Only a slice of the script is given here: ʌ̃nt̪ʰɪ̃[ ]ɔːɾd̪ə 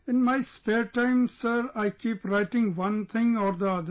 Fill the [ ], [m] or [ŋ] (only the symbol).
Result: ŋ